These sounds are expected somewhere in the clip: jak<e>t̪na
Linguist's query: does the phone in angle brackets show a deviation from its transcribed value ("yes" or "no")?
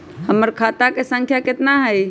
no